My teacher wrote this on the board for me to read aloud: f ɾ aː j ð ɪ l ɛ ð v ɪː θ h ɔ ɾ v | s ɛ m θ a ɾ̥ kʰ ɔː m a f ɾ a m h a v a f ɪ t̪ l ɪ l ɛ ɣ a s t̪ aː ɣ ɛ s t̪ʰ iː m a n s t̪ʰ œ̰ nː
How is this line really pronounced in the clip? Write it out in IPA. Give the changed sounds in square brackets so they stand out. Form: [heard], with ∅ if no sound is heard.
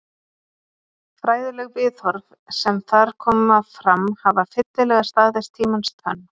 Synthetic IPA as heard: f ɾ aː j ð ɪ l ɛ [ɣ] v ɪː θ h ɔ ɾ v | s ɛ m θ a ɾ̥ kʰ ɔː m a f ɾ a m h a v a f ɪ t̪ l ɪ l ɛ ɣ a s t̪ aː [ð] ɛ s t̪ʰ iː m a n s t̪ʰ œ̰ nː

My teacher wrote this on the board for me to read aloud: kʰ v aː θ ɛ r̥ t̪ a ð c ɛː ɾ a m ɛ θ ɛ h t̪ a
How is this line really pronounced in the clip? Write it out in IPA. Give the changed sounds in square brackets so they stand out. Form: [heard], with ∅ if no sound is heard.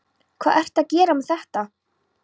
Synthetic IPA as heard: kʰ v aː [ð] ɛ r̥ t̪ a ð c ɛː ɾ a m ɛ θ ɛ h t̪ a

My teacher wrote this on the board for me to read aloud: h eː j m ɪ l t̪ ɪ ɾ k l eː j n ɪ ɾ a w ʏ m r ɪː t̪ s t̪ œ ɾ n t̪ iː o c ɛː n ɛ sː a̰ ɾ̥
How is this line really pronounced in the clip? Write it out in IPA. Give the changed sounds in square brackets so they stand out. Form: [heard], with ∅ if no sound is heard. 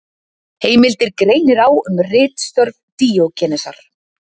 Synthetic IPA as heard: h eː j m ɪ l t̪ ɪ ɾ k [ɾ] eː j n ɪ ɾ a w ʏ m r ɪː t̪ s t̪ œ ɾ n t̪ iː o c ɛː n ɛ [s] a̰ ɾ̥

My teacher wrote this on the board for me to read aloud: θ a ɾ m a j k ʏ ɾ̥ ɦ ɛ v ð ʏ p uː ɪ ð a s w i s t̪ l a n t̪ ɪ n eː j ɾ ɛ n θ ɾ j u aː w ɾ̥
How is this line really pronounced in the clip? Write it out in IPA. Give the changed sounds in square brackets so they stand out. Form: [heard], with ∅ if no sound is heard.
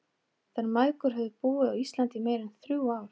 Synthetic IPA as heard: θ a ɾ m a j k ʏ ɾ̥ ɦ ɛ v ð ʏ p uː ɪ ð a [∅] w i s t̪ l a n t̪ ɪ [m] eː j ɾ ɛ n θ ɾ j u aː w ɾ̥

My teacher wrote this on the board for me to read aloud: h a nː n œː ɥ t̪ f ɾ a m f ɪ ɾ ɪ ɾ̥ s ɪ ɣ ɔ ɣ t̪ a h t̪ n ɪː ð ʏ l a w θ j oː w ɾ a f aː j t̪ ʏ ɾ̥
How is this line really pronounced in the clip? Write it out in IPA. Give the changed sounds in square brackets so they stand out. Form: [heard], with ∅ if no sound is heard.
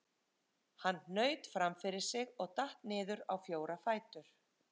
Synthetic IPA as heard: h a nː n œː ɥ t̪ f ɾ a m f ɪ ɾ ɪ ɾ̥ s ɪ ɣ ɔ ɣ t̪ a h t̪ n ɪː ð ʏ [ɾ] a w [f] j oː w ɾ a f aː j t̪ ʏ ɾ̥

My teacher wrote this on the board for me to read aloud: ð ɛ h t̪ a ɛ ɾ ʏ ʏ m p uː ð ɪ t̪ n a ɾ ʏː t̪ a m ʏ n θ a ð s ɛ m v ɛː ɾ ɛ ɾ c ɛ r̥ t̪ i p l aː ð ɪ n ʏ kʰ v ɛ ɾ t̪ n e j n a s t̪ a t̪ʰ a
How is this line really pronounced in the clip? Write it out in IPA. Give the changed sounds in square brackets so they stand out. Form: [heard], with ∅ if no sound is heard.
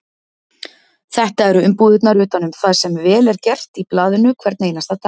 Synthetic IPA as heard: [θ] ɛ h t̪ a ɛ ɾ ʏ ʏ m p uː ð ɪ t̪ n a ɾ ʏː t̪ a [n] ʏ [m] θ a ð s ɛ m v ɛː [l] ɛ ɾ c ɛ r̥ t̪ i p l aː ð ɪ n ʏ kʰ v ɛ ɾ t̪ n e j n a s t̪ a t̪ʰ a

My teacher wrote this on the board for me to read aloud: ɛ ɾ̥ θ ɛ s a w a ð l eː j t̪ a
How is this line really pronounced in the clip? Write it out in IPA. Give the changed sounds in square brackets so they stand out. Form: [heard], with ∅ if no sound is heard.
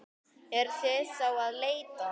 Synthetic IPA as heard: ɛ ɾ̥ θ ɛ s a w a ð l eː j t̪ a

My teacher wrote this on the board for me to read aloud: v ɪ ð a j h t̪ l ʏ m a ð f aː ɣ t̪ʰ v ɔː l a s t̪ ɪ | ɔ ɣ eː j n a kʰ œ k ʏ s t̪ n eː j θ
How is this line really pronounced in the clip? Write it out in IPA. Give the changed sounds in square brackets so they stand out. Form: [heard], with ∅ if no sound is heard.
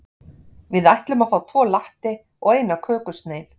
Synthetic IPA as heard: v ɪ ð a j h t̪ l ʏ m a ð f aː [w] t̪ʰ v ɔː l a [h] t̪ ɪ | ɔ ɣ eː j n a kʰ [œː] k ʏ s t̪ n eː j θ

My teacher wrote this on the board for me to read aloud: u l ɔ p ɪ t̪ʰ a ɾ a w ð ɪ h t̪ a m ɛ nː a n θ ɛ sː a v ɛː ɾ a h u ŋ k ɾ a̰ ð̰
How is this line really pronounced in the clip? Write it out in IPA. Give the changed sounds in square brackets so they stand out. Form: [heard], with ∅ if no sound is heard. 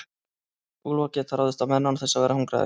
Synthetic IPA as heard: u l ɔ [c] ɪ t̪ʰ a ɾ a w ð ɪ [s] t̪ a m ɛ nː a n θ ɛ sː a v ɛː ɾ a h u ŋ k ɾ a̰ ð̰

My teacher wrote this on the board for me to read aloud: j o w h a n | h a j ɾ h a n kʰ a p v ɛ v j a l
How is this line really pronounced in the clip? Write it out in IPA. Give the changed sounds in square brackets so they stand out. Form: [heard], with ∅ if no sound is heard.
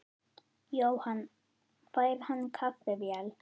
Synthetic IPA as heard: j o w h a n | [f] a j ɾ h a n kʰ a p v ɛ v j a l

